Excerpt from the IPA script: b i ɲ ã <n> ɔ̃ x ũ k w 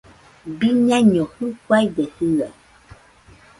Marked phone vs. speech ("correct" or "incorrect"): incorrect